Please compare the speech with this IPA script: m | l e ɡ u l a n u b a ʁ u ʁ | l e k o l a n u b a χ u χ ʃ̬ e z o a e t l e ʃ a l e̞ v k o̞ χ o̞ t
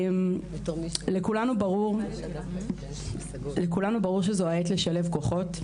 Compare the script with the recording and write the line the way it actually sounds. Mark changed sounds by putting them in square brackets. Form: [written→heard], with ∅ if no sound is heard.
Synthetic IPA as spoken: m | l e [ɡ→k] u l a n u b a ʁ u ʁ | l e k [o→u] l a n u b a [χ→ʁ] u [χ→ʁ] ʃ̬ e z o a e t l e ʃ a l e̞ v k o̞ χ o̞ t